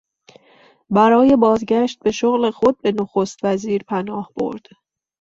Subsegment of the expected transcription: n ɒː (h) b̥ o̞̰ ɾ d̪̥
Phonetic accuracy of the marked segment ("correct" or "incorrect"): correct